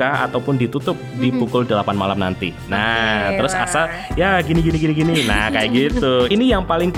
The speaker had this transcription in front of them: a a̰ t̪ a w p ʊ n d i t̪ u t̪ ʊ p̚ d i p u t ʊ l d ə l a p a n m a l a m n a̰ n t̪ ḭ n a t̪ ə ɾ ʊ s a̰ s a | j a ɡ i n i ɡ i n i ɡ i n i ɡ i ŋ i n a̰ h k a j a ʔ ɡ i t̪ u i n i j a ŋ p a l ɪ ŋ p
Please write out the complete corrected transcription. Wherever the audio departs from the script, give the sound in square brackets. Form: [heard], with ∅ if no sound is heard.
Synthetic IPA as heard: a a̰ t̪ a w p ʊ n d i t̪ u t̪ ʊ p̚ d i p u [k] ʊ l d ə l a p a n m a l a m n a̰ n t̪ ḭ n a t̪ ə ɾ ʊ s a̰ s a | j a ɡ i n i ɡ i n i ɡ i n i ɡ i [n] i n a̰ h k a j a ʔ ɡ i t̪ u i n i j a ŋ p a l ɪ ŋ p